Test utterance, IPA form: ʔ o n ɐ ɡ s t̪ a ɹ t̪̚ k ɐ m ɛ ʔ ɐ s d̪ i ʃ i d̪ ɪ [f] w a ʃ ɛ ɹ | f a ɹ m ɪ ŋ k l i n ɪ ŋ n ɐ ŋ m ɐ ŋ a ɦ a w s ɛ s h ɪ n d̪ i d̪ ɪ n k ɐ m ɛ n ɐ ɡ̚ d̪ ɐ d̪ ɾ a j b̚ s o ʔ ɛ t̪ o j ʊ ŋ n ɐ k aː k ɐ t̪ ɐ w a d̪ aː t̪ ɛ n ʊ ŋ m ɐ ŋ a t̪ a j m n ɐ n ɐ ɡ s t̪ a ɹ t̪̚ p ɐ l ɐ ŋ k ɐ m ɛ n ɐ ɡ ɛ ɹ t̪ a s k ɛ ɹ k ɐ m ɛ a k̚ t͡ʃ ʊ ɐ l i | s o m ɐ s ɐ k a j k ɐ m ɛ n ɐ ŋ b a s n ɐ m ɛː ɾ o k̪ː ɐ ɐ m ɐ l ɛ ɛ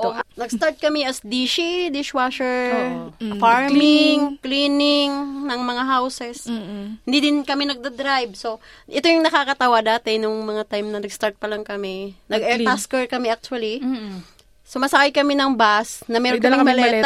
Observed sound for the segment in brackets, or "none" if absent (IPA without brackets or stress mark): ʃ